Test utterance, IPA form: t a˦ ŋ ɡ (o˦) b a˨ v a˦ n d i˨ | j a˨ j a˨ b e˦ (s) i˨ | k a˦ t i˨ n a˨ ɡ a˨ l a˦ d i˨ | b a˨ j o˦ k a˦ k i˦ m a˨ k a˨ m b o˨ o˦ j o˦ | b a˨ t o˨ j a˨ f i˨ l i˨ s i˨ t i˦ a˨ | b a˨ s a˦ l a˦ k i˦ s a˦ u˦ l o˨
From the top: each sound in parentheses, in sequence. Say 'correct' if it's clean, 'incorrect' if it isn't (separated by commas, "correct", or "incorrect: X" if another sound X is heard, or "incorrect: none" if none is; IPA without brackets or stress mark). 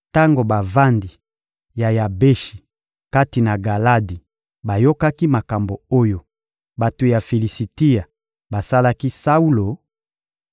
incorrect: o˨, incorrect: ʃ